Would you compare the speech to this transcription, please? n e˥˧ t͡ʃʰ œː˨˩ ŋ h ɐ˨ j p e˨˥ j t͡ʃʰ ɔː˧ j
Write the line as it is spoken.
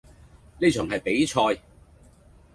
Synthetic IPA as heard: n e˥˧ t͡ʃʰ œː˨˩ ŋ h ɐ˨ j p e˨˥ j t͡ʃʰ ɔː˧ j